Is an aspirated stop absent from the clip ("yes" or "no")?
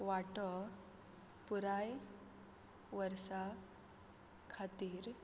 no